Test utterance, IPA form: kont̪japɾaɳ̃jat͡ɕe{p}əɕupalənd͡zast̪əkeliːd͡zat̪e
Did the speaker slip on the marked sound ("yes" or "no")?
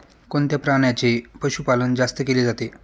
no